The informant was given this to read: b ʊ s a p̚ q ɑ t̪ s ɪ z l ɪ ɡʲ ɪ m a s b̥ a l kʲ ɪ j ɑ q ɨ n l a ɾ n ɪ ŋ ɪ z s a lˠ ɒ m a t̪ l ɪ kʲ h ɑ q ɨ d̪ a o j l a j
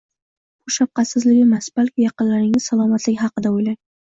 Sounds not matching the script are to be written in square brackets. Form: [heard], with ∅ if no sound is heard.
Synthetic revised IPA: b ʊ [ʃ] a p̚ q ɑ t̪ s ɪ z l ɪ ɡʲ ɪ m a s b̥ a l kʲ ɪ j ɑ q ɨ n l a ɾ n ɪ ŋ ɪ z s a lˠ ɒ m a t̪ l ɪ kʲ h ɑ q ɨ d̪ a o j l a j